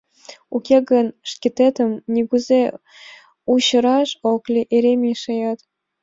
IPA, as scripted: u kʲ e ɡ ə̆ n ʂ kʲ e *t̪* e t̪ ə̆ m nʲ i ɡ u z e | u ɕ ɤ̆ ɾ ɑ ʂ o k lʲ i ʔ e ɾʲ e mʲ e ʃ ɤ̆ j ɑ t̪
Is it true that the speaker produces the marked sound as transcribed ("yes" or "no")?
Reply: yes